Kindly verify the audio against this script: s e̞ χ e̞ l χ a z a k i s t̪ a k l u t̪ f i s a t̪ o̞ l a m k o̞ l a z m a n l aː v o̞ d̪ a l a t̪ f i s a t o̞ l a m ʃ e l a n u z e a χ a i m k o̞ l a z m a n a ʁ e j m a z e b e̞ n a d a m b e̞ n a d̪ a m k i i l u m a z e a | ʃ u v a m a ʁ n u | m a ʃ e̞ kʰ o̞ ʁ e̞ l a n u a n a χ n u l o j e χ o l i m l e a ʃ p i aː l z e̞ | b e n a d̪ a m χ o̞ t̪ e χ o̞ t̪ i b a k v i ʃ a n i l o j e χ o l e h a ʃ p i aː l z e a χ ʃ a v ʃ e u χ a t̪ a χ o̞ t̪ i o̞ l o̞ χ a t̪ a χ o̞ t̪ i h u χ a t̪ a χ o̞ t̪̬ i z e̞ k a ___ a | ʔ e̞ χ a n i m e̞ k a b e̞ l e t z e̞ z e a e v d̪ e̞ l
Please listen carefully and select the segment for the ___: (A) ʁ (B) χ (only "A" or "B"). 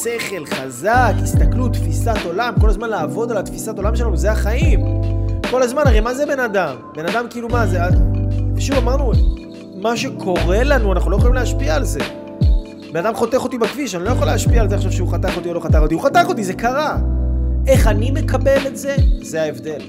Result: A